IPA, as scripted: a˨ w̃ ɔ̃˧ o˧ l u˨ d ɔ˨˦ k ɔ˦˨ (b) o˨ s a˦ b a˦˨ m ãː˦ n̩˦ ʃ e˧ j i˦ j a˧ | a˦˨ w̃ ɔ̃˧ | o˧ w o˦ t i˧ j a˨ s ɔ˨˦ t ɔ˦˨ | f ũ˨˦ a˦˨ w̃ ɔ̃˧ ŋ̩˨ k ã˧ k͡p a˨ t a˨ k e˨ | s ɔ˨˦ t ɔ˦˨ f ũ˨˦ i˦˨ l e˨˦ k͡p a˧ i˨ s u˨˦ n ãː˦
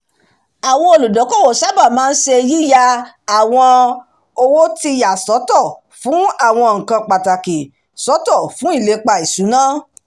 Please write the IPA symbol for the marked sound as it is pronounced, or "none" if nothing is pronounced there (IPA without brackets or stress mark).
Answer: w